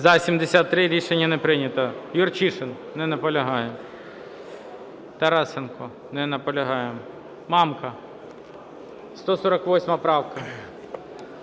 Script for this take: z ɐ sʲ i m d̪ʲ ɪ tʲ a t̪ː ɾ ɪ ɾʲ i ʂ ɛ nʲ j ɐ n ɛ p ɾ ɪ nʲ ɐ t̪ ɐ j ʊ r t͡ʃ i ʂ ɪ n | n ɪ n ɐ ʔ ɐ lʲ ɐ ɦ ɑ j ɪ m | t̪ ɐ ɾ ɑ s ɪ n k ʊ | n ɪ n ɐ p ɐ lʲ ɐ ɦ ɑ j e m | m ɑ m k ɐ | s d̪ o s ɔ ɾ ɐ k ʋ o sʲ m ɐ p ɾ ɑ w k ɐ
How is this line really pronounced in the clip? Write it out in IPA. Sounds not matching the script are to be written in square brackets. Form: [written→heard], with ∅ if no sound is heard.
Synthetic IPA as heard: z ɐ sʲ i m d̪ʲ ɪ [tʲ→sʲ] a t̪ː ɾ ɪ ɾʲ i ʂ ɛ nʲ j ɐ n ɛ p ɾ ɪ nʲ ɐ t̪ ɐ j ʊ r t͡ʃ i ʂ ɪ n | n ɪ n ɐ [ʔ→p] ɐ lʲ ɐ ɦ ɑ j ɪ m | t̪ ɐ ɾ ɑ s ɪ n k ʊ | n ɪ n ɐ p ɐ lʲ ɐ ɦ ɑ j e m | m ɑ m k ɐ | s [d̪→t̪] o s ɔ ɾ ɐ k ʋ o sʲ m ɐ p ɾ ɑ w k ɐ

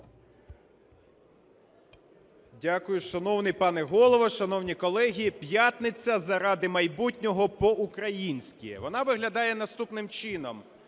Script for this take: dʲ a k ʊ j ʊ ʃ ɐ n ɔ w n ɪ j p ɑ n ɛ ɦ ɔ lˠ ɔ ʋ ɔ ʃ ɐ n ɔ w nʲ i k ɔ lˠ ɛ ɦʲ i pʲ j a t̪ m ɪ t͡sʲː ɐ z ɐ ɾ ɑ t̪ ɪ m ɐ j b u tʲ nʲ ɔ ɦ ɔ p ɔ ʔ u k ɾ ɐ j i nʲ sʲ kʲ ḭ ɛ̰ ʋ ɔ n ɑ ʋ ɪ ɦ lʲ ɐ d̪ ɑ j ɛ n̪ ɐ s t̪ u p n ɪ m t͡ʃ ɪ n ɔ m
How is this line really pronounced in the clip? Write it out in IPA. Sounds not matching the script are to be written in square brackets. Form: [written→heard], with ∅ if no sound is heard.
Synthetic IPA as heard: dʲ a k ʊ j ʊ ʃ ɐ n ɔ w n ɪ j p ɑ n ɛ ɦ ɔ lˠ ɔ ʋ ɔ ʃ ɐ n ɔ w nʲ i k ɔ lˠ ɛ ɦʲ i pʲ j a t̪ [m→n] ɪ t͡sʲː ɐ z ɐ ɾ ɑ [t̪→d̪] ɪ m ɐ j b u tʲ nʲ ɔ ɦ ɔ p ɔ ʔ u k ɾ ɐ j i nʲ sʲ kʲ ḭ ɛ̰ ʋ ɔ n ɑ ʋ ɪ ɦ lʲ ɐ d̪ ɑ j ɛ n̪ ɐ s t̪ u p n ɪ m t͡ʃ ɪ n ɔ m

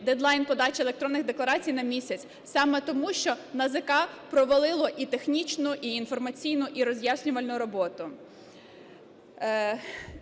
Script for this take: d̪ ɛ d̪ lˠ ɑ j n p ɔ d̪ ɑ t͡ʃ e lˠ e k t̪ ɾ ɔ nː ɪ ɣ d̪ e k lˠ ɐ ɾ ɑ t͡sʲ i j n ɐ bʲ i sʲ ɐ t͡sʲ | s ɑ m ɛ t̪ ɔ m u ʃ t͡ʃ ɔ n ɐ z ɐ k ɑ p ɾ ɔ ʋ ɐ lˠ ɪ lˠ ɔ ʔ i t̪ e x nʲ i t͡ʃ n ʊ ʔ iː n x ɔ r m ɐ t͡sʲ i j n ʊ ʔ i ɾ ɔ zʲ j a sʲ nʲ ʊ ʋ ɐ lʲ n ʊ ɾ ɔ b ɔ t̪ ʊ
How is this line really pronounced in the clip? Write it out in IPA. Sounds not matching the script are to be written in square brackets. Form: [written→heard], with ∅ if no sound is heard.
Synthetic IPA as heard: d̪ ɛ d̪ lˠ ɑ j n p ɔ d̪ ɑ t͡ʃ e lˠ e k t̪ ɾ ɔ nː ɪ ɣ d̪ e k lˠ ɐ ɾ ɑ t͡sʲ i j n ɐ [bʲ→mʲ] i sʲ ɐ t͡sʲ | s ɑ m ɛ t̪ ɔ m u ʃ t͡ʃ ɔ n ɐ z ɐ k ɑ p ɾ ɔ ʋ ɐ lˠ ɪ lˠ ɔ ʔ i t̪ e x nʲ i t͡ʃ n ʊ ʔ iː n [x→f] ɔ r m ɐ t͡sʲ i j n ʊ ʔ i ɾ ɔ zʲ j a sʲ nʲ ʊ ʋ ɐ lʲ n ʊ ɾ ɔ b ɔ t̪ ʊ

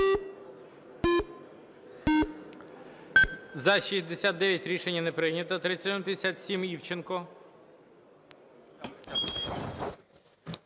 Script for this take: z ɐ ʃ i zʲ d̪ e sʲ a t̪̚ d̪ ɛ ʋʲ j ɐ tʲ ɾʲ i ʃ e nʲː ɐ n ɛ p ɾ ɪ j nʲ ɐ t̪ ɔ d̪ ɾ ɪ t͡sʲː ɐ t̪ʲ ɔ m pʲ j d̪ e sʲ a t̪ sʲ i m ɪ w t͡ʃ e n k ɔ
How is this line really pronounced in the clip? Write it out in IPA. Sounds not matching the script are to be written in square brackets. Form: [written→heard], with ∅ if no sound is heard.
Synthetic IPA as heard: z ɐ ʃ i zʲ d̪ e sʲ a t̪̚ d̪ ɛ ʋʲ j ɐ tʲ ɾʲ i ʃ e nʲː ɐ n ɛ p ɾ ɪ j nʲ ɐ t̪ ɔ [d̪→t̪] ɾ ɪ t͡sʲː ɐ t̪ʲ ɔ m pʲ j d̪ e sʲ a t̪ sʲ i m [ɪ→i] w t͡ʃ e n k ɔ

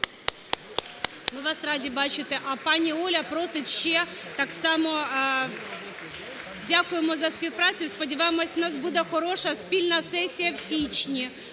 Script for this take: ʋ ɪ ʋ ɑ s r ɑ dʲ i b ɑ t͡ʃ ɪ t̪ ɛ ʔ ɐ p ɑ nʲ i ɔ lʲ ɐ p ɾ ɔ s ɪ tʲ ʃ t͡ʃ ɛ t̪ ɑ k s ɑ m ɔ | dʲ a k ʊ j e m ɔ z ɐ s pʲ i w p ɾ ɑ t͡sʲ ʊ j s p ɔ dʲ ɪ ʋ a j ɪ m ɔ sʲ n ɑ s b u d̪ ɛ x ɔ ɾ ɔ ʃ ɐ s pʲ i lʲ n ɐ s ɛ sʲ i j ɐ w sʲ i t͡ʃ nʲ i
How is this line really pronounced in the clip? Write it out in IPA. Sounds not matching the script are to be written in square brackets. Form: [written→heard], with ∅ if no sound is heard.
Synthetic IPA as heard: ʋ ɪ ʋ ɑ s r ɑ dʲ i b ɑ t͡ʃ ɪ t̪ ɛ ʔ ɐ p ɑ nʲ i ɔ lʲ ɐ p ɾ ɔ s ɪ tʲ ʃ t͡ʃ ɛ t̪ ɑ k s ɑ m ɔ | dʲ a k ʊ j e m ɔ z ɐ s pʲ i w p ɾ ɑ t͡sʲ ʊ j s p ɔ dʲ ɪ ʋ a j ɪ m ɔ sʲ n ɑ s b u d̪ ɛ x ɔ ɾ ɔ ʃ ɐ s pʲ i lʲ n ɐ s ɛ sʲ i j ɐ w sʲ i t͡ʃ nʲ i

